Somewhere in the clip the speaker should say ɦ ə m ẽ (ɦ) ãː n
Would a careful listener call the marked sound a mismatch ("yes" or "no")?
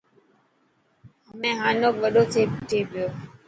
no